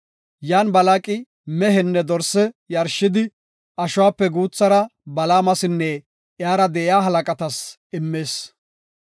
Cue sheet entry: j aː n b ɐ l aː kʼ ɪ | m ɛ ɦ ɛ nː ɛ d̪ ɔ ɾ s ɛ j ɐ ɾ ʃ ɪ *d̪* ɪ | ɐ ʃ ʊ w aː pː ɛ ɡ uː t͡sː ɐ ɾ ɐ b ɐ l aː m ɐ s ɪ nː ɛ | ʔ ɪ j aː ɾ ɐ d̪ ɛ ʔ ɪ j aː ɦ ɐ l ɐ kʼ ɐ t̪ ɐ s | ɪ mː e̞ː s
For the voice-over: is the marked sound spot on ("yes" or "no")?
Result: yes